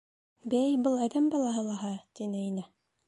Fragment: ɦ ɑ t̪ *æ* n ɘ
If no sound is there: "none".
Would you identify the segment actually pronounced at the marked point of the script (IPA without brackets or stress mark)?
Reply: i